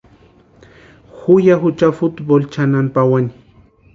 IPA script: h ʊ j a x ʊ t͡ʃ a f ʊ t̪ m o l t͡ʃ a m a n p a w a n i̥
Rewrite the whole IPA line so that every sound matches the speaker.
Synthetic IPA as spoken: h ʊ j a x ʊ t͡ʃ a f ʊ t̪ b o l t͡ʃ a n a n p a w a n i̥